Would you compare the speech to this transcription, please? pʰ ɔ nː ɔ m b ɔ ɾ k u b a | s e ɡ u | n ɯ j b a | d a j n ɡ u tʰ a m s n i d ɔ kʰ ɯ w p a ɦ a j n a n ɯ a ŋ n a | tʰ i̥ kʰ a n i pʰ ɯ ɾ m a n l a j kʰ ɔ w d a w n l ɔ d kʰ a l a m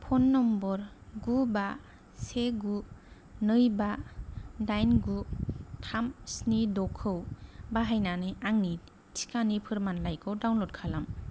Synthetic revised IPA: pʰ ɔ nː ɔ m b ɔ ɾ ɡ u b a | s e ɡ u | n ɯ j b a | d a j n ɡ u tʰ a m s n i d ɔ kʰ ɯ w b a ɦ a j n a n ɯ a ŋ n i | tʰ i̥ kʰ a n i pʰ ɯ ɾ m a n l a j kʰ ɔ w d a w n l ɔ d kʰ a l a m

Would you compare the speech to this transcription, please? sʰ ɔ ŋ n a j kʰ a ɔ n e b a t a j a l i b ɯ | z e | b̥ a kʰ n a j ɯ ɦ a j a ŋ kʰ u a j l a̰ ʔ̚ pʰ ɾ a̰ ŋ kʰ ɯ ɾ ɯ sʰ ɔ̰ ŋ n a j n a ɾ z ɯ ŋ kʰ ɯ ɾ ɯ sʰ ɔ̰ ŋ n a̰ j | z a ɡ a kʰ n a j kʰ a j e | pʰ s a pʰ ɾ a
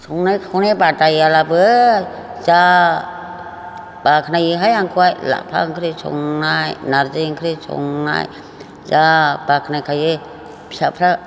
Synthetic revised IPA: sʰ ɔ ŋ n a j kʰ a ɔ n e b a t a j a l a b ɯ | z a | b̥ a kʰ n a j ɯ ɦ a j a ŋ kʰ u a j l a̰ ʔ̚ pʰ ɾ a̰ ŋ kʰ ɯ ɾ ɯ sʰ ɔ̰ ŋ n a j n a ɾ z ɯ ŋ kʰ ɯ ɾ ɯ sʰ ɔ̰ ŋ n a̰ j | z a b a kʰ n a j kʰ a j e | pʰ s a pʰ ɾ a

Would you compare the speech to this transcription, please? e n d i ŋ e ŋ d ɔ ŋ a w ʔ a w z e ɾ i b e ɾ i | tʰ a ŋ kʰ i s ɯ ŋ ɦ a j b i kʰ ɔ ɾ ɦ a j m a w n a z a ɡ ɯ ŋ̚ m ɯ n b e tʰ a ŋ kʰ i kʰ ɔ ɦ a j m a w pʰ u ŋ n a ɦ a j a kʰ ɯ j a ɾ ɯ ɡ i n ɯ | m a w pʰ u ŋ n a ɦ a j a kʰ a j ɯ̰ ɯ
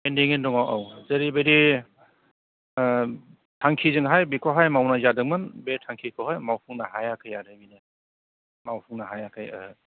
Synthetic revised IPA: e n d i ŋ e n d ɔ ŋ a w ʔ a w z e ɾ i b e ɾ i | tʰ a ŋ kʰ i z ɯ ŋ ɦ a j b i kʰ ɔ ɦ a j m a w n a z a d ɯ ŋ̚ m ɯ n b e tʰ a ŋ kʰ i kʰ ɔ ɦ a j m a w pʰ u ŋ n a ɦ a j a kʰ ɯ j a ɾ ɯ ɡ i n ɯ | m a w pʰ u ŋ n a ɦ a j a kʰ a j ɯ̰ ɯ

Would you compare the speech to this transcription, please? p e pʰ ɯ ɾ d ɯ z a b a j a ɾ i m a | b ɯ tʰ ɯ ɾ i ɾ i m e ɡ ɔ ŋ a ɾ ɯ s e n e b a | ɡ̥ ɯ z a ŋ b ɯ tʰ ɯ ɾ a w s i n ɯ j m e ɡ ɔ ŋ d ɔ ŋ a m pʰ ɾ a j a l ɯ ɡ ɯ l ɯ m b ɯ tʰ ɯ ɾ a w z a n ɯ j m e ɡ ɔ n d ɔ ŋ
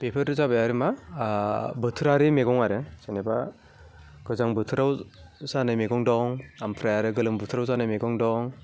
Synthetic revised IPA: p e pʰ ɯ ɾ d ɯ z a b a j a ɾ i m a | b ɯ tʰ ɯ ɾ a ɾ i m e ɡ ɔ ŋ a ɾ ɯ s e n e b a | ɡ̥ ɯ z a ŋ b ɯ tʰ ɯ ɾ a w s a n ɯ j m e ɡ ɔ ŋ d ɔ ŋ a m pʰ ɾ a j a ɾ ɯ ɡ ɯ l ɯ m b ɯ tʰ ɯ ɾ a w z a n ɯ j m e ɡ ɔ ŋ d ɔ ŋ

